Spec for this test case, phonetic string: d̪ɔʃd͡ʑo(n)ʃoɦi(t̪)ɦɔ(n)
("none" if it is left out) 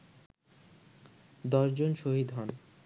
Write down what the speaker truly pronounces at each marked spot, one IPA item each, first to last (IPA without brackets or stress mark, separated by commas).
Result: n, d̪, n